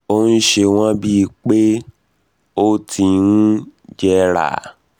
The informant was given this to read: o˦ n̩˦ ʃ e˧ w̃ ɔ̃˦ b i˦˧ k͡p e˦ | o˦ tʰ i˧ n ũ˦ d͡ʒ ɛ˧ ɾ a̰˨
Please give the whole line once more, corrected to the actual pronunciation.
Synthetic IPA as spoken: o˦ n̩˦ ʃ e˧ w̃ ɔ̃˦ b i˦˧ k͡p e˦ | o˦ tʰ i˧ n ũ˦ d͡ʒ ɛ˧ ɾ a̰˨